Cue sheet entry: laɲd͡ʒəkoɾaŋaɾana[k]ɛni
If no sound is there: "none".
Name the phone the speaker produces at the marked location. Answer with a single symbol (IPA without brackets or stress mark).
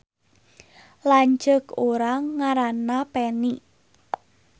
p